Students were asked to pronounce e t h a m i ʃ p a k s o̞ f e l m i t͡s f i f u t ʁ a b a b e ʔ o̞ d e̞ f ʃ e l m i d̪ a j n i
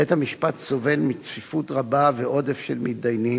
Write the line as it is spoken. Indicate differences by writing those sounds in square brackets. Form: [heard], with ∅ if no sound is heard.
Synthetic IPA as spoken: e t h a m i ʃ p a [t] s o̞ [v] e l m i t͡s f i f u t ʁ a b a [v] e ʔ o̞ d e̞ f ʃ e l m i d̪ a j n i